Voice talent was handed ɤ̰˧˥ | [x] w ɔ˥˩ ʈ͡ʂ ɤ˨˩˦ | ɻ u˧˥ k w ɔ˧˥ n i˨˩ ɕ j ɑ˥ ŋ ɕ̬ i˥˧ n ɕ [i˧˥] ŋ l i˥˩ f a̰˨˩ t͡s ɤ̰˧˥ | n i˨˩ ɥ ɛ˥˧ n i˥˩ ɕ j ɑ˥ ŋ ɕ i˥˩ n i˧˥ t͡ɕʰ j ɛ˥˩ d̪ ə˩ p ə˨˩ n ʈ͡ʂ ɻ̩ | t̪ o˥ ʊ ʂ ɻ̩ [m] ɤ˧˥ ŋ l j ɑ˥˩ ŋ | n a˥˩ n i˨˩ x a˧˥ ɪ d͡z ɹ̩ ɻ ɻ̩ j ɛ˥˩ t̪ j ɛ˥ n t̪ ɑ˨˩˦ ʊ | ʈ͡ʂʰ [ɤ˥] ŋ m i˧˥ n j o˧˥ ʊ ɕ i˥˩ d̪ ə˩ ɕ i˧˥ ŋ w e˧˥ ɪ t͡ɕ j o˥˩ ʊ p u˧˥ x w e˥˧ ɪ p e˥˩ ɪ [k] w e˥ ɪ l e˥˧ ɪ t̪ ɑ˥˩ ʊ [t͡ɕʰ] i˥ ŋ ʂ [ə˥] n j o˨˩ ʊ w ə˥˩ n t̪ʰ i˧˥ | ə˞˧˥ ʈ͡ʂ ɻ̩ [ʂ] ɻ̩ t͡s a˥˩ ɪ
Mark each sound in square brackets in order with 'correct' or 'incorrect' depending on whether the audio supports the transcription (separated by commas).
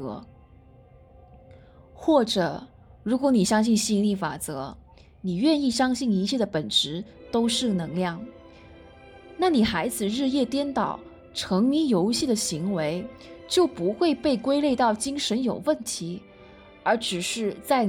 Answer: correct, incorrect, incorrect, incorrect, correct, incorrect, incorrect, correct